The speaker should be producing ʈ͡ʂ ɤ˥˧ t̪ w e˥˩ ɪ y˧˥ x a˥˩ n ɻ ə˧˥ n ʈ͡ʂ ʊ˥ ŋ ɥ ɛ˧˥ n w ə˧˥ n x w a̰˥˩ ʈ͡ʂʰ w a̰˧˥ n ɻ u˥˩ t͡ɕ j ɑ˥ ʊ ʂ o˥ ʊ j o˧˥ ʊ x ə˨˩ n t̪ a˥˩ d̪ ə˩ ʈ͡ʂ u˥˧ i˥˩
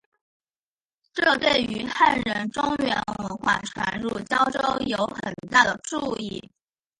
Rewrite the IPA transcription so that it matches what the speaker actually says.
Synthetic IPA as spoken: ʈ͡ʂ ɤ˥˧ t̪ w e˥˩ ɪ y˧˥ x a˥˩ n ɻ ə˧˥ n ʈ͡ʂ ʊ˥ ŋ ɥ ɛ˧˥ n w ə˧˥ n x w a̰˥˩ ʈ͡ʂʰ w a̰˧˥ n ɻ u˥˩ t͡ɕ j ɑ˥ ʊ ʈ͡ʂ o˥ ʊ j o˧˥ ʊ x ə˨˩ n t̪ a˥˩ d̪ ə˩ ʈ͡ʂ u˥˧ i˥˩

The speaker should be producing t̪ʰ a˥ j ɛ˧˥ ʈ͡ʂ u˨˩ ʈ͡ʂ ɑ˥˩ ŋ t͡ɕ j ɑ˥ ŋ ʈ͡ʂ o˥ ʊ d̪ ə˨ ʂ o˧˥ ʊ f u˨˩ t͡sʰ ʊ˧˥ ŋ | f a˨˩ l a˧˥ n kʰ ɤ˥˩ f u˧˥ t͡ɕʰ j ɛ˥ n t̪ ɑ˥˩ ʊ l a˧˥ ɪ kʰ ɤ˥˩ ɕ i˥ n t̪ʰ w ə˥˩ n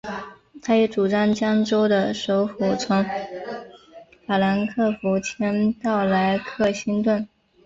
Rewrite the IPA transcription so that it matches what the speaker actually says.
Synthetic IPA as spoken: t̪ʰ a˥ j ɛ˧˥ ʈ͡ʂ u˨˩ ʈ͡ʂ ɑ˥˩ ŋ t͡ɕ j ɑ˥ ŋ ʈ͡ʂ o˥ ʊ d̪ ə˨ ʂ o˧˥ ʊ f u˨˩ t͡sʰ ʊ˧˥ ŋ | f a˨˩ l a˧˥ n kʰ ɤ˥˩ f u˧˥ t͡ɕʰ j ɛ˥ n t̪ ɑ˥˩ ʊ l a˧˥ ɪ kʰ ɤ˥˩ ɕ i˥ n t̪ w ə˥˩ n

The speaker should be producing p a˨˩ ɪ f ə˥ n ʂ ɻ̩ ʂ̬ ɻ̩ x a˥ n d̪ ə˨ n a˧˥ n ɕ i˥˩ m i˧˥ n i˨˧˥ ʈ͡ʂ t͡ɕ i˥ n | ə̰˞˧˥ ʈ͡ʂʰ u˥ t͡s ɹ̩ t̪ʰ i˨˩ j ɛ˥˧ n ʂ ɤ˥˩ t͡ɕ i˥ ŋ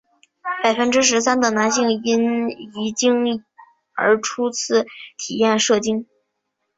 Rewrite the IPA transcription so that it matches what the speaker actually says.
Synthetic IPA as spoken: p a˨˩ ɪ f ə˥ n ʈ͡ʂ ɻ̩ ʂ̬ ɻ̩ s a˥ n d̪ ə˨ n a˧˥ n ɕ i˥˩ ŋ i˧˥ n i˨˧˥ t͡ɕ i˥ ŋ | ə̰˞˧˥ ʈ͡ʂʰ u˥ t͡sʰ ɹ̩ t̪ʰ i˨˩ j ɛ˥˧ n ʂ ɤ˥˩ t͡ɕ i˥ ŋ

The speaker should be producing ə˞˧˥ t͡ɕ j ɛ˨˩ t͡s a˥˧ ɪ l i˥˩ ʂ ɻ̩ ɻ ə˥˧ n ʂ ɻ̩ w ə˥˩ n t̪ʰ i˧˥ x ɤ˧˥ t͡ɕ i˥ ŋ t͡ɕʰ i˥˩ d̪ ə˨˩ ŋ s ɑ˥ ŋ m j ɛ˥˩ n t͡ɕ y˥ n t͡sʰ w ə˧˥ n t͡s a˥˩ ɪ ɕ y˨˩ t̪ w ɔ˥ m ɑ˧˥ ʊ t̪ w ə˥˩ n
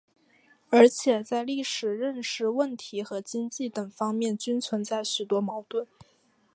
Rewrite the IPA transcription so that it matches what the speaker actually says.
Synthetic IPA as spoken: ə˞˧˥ t͡ɕʰ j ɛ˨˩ t͡s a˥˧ ɪ l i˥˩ ʂ ɻ̩ ɻ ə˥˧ n ʂ ɻ̩ w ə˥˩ n t̪ʰ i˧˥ x ɤ˧˥ t͡ɕ i˥ ŋ t͡ɕ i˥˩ t̪ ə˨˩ ŋ f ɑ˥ ŋ m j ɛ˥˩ n t͡ɕ y˥ n t͡sʰ w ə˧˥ n t͡s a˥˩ ɪ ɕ y˨˩ t̪ w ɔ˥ m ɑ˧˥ ʊ t̪ w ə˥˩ n

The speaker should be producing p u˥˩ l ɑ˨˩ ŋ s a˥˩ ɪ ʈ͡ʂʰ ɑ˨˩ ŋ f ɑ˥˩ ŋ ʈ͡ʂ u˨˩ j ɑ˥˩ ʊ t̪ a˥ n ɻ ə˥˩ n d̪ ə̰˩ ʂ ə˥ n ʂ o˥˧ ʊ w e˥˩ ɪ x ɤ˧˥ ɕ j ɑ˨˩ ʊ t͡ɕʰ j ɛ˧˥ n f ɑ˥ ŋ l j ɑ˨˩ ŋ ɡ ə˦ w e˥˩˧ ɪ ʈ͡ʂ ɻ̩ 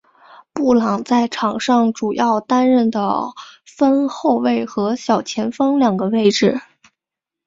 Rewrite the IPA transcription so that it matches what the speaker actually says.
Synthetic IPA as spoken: p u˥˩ l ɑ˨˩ ŋ t͡s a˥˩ ɪ ʈ͡ʂʰ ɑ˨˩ ŋ ʂ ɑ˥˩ ŋ ʈ͡ʂ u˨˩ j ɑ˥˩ ʊ t̪ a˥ n ɻ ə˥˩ n d̪ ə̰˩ f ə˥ n x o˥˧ ʊ w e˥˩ ɪ x ɤ˧˥ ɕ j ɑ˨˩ ʊ t͡ɕʰ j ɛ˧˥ n f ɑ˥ ŋ l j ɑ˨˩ ŋ ɡ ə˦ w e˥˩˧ ɪ ʈ͡ʂ ɻ̩

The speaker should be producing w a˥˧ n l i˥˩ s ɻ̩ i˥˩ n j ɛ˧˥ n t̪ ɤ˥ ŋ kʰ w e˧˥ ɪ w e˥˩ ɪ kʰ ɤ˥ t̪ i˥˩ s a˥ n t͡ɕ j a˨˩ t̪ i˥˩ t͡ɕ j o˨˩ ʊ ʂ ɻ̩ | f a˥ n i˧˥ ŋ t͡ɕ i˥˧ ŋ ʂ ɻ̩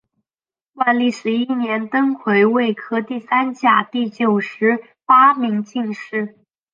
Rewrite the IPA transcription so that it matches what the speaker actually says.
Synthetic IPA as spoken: w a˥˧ n l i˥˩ ʂ ɻ̩ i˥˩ n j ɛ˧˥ n t̪ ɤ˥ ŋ kʰ w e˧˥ ɪ w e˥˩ ɪ kʰ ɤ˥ t̪ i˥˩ s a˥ n t͡ɕ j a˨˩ t̪ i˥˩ t͡ɕ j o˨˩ ʊ ʂ ɻ̩ | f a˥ m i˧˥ ŋ t͡ɕ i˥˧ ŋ ʂ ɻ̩

